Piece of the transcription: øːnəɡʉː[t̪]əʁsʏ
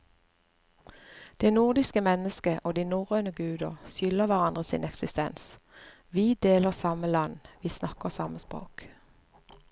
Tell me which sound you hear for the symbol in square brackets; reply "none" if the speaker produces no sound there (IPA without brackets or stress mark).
d̪